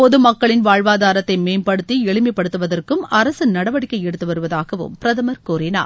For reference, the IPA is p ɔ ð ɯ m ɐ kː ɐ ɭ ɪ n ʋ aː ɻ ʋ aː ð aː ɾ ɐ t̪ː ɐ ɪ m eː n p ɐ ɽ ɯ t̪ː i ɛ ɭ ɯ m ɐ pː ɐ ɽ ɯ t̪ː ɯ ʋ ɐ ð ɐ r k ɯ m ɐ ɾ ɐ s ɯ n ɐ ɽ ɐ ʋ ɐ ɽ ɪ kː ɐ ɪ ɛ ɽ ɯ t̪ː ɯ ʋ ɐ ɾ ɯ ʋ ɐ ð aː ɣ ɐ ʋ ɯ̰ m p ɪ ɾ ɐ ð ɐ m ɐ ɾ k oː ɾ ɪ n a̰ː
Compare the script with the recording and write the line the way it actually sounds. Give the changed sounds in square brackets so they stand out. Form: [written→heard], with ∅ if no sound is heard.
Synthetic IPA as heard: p ɔ ð ɯ m ɐ kː ɐ ɭ ɪ n ʋ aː ɻ ʋ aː ð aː ɾ ɐ t̪ː ɐ ɪ m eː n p ɐ ɽ ɯ t̪ː i ɛ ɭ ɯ m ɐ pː ɐ ɽ ɯ t̪ː ɯ ʋ ɐ ð ɐ r k ɯ m ɐ ɾ ɐ s ɯ n ɐ ɽ ɐ ʋ ɐ ɽ ɪ kː ɐ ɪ ɛ ɽ ɯ t̪ː ɯ ʋ ɐ ɾ ɯ ʋ ɐ ð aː ɣ ɐ ʋ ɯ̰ m p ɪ ɾ ɐ ð ɐ m ɐ ɾ k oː ɾ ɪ n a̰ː